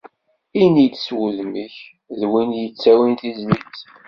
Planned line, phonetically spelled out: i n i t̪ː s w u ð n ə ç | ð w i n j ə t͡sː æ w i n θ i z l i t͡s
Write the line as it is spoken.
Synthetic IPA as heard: i n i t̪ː s w u ð m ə ç | ð w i n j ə t͡sː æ w i n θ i z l i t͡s